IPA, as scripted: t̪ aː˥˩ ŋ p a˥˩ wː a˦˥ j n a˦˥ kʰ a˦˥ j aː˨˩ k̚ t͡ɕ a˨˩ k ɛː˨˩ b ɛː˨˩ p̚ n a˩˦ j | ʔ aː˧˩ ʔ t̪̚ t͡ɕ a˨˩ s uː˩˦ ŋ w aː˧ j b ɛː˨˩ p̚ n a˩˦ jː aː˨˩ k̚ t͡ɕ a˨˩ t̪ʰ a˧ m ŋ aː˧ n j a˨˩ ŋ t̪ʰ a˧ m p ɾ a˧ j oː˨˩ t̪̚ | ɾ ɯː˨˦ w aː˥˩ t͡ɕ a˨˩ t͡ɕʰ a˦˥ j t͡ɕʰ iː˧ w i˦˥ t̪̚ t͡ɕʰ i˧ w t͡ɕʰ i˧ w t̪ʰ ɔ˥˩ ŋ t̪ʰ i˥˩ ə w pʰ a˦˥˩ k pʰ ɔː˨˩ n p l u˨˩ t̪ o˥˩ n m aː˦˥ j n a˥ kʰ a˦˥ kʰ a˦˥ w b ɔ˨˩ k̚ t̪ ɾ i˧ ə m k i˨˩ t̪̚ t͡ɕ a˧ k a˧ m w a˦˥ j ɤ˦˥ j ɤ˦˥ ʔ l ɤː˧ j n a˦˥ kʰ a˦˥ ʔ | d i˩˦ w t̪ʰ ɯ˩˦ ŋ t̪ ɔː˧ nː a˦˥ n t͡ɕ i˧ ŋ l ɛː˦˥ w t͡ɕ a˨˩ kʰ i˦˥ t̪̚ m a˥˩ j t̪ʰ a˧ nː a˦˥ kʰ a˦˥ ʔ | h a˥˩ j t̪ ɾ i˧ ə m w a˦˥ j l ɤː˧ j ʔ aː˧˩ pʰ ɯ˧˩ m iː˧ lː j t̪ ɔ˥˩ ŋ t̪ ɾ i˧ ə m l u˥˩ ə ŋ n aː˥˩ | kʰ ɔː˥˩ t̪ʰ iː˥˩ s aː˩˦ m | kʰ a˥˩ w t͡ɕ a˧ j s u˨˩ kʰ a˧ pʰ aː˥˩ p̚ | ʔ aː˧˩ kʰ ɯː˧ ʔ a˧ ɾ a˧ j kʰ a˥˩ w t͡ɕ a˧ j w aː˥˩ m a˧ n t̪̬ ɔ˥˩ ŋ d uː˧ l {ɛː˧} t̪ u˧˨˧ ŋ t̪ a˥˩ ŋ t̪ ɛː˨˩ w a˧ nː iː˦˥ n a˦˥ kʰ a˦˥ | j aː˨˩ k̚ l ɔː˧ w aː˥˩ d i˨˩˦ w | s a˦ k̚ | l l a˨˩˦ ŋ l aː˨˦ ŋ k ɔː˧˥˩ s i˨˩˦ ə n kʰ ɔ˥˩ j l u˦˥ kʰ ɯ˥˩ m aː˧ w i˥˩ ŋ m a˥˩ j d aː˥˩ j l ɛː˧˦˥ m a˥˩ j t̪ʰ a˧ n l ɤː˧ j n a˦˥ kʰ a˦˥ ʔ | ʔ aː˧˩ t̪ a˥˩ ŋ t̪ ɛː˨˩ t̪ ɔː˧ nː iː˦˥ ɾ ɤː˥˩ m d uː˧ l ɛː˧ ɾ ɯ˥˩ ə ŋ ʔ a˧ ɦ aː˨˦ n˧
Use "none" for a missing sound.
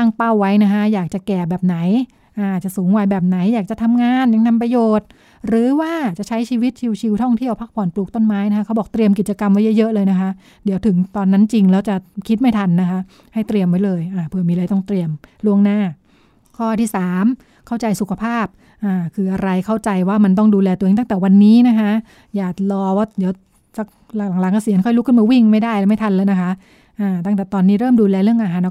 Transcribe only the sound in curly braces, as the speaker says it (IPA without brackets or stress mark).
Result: ɛː˧